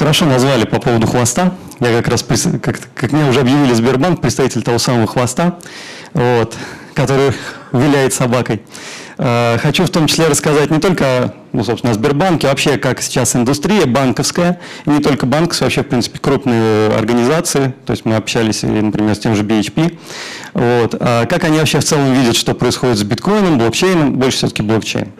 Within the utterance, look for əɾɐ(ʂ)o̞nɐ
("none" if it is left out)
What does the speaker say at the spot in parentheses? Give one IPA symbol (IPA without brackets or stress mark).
ʂ